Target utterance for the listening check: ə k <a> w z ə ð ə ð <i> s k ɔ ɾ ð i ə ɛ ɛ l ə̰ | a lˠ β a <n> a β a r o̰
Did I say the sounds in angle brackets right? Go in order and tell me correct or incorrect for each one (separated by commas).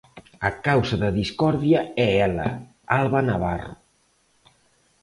correct, correct, correct